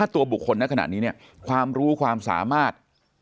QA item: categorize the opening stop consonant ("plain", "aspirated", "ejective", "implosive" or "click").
plain